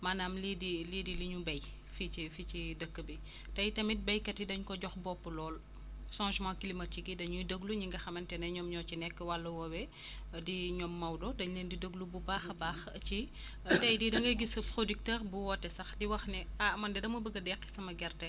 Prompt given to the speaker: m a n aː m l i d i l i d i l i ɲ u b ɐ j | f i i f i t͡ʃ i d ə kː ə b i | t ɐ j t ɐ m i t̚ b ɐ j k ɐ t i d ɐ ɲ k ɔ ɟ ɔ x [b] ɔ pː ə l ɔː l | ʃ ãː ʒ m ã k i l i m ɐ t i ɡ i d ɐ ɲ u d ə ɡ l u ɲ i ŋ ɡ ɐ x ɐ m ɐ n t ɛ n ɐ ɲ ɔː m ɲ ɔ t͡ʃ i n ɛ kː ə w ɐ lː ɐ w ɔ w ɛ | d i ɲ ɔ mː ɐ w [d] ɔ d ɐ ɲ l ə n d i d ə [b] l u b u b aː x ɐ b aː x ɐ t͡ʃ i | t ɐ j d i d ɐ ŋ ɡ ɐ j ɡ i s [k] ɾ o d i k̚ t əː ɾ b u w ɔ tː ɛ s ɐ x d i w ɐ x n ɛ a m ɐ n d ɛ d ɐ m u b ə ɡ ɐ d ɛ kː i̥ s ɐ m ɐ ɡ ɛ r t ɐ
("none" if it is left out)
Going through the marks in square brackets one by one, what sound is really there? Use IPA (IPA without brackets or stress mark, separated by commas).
b, d, ɡ, p